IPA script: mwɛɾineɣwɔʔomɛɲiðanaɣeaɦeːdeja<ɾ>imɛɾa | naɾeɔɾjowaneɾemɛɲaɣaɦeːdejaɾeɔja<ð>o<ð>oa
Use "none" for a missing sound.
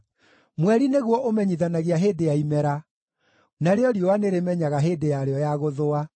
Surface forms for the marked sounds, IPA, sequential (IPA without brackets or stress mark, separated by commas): none, ɣ, ð